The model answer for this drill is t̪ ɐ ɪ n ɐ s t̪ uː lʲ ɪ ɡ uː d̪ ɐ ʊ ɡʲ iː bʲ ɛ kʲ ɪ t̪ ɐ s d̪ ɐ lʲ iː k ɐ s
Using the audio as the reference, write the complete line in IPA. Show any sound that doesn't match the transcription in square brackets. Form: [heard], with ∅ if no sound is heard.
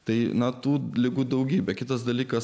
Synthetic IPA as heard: t̪ ɐ ɪ n ɐ [∅] t̪ uː lʲ ɪ ɡ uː d̪ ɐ ʊ ɡʲ iː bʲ ɛ kʲ ɪ t̪ ɐ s d̪ ɐ lʲ iː k ɐ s